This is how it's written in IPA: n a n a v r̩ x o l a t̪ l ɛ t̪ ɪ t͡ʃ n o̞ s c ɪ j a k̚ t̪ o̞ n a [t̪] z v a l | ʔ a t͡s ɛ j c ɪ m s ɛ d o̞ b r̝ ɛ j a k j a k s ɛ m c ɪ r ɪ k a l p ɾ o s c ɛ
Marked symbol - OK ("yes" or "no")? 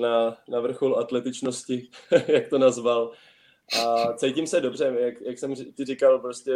no